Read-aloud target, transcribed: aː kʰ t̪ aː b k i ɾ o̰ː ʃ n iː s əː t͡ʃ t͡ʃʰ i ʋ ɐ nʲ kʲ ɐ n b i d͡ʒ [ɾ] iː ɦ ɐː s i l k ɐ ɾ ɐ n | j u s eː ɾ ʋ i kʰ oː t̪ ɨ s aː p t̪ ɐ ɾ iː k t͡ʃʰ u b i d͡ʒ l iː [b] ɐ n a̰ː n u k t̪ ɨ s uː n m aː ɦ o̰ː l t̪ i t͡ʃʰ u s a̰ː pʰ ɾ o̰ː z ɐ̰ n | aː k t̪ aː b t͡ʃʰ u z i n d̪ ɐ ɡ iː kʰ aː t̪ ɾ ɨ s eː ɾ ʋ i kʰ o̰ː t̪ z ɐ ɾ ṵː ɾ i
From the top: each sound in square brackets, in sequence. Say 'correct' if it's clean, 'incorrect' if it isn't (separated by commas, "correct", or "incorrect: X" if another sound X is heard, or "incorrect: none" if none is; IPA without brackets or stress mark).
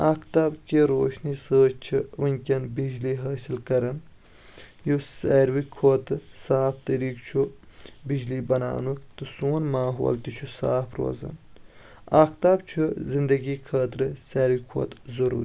incorrect: l, correct